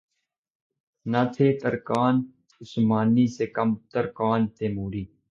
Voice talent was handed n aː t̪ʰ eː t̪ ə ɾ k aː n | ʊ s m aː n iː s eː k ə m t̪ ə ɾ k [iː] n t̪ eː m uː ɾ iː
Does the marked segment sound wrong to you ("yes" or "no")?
yes